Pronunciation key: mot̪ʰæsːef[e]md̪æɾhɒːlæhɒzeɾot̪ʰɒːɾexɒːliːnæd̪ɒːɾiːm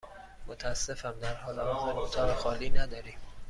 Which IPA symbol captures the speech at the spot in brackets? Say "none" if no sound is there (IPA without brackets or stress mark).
æ